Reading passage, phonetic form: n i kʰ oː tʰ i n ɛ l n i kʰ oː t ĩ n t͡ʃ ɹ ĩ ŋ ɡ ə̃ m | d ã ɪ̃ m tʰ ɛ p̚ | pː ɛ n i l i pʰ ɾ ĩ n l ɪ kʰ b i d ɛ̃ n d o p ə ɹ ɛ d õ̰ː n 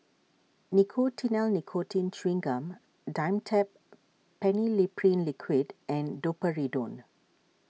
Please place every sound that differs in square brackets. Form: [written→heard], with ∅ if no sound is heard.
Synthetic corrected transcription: n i kʰ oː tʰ i n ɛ l n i kʰ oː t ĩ n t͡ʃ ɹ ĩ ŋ ɡ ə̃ m | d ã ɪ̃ m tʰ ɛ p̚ | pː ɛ n i l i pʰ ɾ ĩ n l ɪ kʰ [b→w] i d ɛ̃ n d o p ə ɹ [ɛ→i] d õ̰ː n

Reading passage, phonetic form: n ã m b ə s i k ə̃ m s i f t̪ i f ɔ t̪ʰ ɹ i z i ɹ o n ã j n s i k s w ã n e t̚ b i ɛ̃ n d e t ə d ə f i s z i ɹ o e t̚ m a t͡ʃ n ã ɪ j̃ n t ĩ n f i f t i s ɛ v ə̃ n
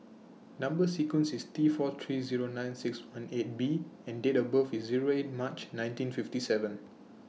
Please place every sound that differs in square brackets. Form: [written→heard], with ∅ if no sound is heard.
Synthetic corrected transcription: n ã m b ə s i k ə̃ [m→n] s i [f→s] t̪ i f ɔ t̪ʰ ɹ i z i ɹ o n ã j n s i k s w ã n e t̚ b i ɛ̃ n d e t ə [d→b] ə f i s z i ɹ o e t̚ m a t͡ʃ n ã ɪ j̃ n t ĩ n f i f t i s ɛ v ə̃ n

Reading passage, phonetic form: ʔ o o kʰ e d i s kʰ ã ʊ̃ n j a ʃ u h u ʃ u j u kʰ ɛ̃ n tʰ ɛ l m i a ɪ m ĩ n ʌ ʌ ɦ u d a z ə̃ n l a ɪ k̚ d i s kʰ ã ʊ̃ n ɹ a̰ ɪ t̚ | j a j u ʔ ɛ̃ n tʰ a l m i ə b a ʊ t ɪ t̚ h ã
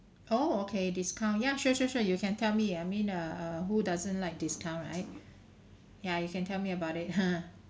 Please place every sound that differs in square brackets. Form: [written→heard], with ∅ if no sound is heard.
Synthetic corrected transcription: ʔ o o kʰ e d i s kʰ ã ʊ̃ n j a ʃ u [h→ʃ] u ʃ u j u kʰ ɛ̃ n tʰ ɛ l m i a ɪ m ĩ n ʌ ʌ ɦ u d a z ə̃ n l a ɪ k̚ d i s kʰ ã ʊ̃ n ɹ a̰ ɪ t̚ | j a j u [ʔ→k] ɛ̃ n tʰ [a→ɛ] l m i ə b a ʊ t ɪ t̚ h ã

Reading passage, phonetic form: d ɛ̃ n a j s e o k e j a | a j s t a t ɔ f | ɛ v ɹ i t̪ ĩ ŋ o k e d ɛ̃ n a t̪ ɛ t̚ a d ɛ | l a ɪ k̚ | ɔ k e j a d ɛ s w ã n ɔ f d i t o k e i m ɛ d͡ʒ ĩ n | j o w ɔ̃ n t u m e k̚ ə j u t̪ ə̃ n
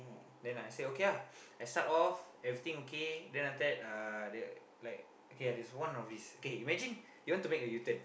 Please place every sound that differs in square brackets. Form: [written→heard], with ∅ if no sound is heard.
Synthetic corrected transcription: d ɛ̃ n a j s e o k e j a | a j s t a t ɔ f | ɛ v ɹ i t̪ ĩ ŋ o k e d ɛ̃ n a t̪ ɛ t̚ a d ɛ | l a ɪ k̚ | [ɔ→o] k e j a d ɛ s w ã n ɔ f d i [t→s] o k e i m ɛ d͡ʒ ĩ n | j [o→u] w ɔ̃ n t u m e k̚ ə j u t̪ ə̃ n

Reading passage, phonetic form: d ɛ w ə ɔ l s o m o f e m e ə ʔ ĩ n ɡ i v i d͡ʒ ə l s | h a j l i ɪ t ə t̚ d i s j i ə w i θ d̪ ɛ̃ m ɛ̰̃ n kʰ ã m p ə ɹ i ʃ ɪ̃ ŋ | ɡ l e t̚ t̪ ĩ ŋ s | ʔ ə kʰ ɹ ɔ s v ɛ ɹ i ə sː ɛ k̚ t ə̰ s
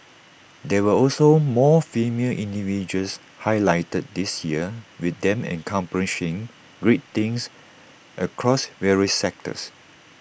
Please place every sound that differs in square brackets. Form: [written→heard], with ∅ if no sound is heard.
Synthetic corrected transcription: d ɛ w ə ɔ l s o m [o→ɔ] f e m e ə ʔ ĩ n [ɡ→d] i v i d͡ʒ ə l s | h a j l [i→a] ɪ t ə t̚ d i s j i ə w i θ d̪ ɛ̃ m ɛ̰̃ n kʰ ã m p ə ɹ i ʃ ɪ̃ ŋ | ɡ [l→ɹ] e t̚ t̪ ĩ ŋ s | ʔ ə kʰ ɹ ɔ s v ɛ ɹ i ə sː ɛ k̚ t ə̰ s

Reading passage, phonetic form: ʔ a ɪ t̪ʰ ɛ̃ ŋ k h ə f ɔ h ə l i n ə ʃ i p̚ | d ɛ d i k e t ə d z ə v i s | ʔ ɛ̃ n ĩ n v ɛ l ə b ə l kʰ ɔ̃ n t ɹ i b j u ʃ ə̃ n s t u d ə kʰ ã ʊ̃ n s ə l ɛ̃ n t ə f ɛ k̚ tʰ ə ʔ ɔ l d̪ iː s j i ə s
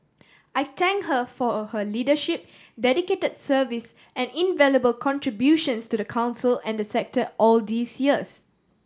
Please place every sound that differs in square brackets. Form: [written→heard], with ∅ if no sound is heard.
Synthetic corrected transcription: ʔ a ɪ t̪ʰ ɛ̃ ŋ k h ə f ɔ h ə l i [n→d] ə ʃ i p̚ | d ɛ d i k e t ə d [z→s] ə v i s | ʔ ɛ̃ n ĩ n v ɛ l ə b ə l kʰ ɔ̃ n t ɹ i b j u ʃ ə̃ n s t u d ə kʰ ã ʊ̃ n s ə l ɛ̃ n [t→d] ə [f→s] ɛ k̚ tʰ ə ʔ ɔ l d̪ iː s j i ə s

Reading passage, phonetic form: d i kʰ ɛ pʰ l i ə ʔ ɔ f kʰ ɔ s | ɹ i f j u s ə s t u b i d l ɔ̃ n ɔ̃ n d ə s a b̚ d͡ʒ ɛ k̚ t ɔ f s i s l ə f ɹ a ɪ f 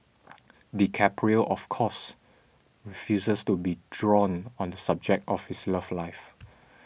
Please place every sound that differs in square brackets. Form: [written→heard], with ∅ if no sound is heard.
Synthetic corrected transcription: d i kʰ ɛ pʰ [l→ɹ] i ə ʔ ɔ f kʰ ɔ s | ɹ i f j u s ə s t u b i d [l→ɹ] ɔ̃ n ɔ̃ n d ə s a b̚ d͡ʒ ɛ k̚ t ɔ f [s→h] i s l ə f [ɹ→l] a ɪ f

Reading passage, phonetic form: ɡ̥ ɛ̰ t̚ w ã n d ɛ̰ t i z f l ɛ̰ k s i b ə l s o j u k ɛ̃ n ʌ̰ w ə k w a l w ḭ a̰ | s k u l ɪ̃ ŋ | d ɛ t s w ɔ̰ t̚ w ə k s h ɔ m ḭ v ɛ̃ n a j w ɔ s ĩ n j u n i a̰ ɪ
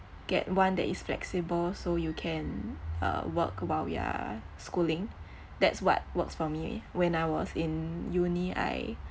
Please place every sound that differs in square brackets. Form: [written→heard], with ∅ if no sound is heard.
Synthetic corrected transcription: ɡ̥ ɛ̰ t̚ w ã n d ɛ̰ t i [z→s] f l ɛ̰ k s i b ə l s o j u [k→kʰ] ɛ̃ n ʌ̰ w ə k w a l w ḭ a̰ | s k u l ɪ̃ ŋ | d ɛ t s w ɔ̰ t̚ w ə k s [h→f] ɔ m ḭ [v→w] ɛ̃ n a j w ɔ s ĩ n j u n i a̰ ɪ

